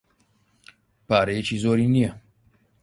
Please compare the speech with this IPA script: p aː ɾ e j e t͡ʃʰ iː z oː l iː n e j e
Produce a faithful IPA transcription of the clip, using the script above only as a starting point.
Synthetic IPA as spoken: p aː ɾ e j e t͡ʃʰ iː z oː ɾ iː n i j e